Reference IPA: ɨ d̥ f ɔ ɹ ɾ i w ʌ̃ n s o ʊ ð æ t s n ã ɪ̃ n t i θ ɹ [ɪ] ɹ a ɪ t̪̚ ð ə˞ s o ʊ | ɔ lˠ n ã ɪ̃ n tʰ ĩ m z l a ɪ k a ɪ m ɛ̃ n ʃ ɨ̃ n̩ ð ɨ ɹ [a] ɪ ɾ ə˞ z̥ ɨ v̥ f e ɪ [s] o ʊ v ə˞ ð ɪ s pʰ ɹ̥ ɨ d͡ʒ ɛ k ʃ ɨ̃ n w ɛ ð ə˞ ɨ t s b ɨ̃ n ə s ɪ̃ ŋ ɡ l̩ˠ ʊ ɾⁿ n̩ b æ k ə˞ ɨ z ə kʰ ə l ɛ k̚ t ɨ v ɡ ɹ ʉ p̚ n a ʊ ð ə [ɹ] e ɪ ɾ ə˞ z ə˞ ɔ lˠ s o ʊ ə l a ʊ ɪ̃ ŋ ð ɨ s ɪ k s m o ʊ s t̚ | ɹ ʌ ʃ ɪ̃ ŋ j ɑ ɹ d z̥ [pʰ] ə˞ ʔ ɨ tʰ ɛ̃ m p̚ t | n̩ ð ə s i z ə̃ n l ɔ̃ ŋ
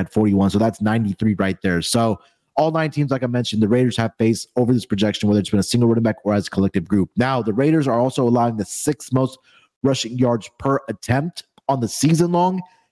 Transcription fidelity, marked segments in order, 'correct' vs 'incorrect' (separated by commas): incorrect, incorrect, correct, correct, correct